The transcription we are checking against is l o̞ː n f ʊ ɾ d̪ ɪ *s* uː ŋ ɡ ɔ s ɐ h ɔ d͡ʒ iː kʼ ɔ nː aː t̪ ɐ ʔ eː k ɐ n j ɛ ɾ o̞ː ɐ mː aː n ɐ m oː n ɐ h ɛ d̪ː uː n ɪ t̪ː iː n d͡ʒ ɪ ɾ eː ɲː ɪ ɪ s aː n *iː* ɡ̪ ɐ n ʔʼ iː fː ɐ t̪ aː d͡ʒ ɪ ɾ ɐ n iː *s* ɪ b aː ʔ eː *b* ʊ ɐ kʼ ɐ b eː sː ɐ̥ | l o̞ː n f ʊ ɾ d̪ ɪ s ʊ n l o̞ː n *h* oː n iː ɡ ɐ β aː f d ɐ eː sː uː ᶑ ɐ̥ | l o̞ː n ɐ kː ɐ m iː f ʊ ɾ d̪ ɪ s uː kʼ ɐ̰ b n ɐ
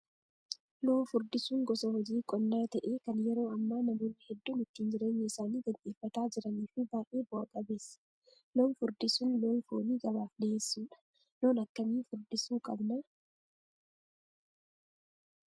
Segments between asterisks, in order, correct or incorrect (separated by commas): correct, correct, incorrect, correct, incorrect